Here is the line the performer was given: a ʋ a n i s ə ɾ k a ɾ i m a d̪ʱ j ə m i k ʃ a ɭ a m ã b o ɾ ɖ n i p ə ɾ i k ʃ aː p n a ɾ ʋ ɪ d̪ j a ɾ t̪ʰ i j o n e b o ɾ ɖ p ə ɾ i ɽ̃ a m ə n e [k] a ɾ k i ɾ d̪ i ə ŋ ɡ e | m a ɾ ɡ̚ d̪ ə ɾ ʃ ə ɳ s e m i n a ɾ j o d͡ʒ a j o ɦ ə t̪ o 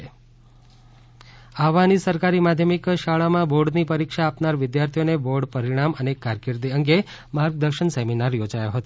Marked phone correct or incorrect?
correct